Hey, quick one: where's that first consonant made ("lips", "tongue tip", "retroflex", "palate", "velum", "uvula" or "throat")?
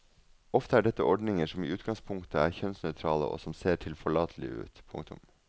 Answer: lips